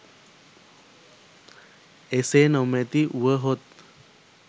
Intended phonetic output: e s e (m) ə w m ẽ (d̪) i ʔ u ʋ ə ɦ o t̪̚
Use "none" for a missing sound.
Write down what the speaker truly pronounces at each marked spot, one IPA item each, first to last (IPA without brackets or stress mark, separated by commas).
n, t̪